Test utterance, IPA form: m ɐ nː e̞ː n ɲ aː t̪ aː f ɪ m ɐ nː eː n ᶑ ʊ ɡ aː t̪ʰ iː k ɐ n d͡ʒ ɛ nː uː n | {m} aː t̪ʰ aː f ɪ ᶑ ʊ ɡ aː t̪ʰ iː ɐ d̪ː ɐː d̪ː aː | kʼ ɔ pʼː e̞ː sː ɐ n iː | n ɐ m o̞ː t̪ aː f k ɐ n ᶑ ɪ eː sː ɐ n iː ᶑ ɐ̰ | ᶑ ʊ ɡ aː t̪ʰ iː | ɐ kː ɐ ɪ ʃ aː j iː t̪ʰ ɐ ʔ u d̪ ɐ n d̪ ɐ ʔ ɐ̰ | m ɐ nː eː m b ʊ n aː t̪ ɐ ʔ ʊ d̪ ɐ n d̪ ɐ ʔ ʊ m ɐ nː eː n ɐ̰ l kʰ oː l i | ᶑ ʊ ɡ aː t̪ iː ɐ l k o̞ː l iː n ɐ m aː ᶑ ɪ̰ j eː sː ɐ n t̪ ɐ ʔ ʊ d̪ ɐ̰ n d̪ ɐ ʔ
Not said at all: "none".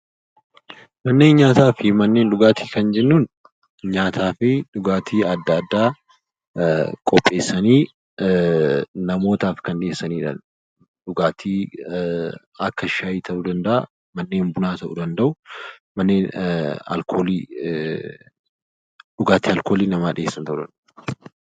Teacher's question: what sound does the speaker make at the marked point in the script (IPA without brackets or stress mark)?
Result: ɲ